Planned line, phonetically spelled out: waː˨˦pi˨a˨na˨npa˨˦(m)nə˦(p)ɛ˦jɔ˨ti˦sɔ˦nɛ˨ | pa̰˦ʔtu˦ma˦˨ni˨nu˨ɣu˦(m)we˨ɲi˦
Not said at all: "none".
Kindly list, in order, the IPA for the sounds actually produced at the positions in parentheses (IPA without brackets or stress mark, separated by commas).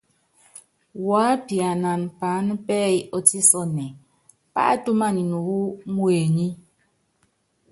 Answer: none, p, m